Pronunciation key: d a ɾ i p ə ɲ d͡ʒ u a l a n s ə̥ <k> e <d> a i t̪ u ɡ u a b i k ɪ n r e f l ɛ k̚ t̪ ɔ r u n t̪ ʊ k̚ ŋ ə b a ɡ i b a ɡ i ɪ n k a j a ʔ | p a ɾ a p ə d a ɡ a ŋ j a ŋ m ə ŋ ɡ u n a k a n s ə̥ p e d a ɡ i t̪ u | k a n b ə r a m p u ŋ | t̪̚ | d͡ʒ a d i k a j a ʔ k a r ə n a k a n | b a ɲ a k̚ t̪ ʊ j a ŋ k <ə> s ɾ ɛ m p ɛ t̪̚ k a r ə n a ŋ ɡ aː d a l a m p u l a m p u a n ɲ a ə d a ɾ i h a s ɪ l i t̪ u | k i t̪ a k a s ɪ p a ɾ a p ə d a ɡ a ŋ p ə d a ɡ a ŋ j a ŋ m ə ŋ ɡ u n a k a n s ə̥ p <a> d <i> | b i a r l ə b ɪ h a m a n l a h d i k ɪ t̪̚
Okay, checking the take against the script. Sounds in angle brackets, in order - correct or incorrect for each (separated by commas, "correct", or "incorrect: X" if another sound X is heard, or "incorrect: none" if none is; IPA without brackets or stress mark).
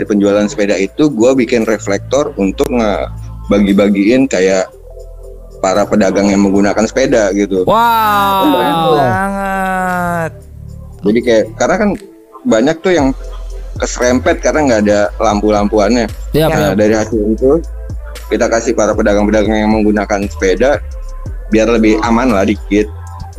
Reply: incorrect: p, correct, correct, incorrect: e, incorrect: a